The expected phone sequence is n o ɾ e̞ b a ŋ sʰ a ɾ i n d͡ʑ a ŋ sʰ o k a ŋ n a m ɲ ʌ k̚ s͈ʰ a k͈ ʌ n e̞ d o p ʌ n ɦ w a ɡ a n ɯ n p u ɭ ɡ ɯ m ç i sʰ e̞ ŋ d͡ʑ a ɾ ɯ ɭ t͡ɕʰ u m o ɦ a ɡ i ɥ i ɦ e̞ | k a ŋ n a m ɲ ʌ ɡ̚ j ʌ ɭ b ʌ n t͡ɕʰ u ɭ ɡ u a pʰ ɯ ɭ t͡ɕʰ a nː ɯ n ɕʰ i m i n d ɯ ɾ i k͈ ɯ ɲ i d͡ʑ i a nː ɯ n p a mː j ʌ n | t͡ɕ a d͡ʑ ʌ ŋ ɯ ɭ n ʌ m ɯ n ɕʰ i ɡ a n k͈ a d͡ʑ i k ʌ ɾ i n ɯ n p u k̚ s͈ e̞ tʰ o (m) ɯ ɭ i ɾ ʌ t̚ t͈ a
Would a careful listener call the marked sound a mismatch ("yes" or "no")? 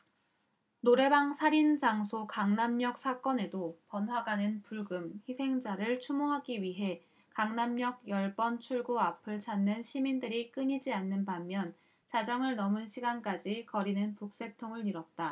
yes